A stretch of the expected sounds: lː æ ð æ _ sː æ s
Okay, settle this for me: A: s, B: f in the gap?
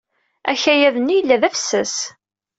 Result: B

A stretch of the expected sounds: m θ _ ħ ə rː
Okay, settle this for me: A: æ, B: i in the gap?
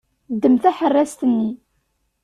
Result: A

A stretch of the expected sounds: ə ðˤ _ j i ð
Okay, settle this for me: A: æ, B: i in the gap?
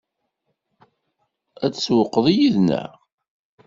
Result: B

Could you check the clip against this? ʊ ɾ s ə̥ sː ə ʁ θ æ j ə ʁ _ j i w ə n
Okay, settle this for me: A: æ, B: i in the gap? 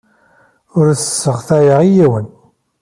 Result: B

